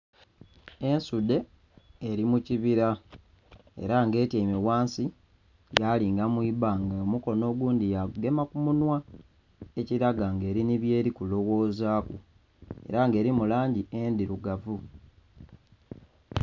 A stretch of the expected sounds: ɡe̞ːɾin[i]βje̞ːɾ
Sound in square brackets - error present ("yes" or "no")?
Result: no